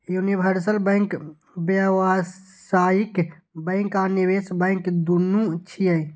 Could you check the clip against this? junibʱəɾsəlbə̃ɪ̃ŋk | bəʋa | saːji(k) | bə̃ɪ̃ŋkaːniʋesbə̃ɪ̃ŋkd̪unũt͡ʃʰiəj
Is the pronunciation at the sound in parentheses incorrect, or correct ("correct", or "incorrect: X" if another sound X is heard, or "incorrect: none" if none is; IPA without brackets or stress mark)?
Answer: correct